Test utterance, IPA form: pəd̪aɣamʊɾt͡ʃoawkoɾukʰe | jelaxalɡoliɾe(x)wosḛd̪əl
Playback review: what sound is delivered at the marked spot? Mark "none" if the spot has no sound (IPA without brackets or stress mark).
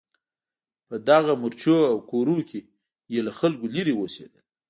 none